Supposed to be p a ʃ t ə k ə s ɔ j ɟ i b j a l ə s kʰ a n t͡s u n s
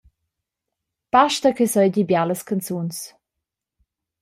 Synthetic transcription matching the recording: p a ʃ t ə k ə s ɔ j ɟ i b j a l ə s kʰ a n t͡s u n s